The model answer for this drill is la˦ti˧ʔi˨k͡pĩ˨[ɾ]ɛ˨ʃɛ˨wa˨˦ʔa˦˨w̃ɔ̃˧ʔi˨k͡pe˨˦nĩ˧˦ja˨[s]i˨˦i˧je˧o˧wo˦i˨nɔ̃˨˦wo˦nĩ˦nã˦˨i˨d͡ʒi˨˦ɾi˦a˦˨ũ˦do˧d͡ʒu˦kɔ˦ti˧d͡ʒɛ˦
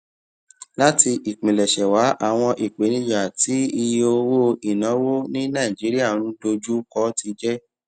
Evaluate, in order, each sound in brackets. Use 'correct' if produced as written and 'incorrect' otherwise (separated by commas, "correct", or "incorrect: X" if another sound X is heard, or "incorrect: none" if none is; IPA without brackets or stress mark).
incorrect: l, incorrect: t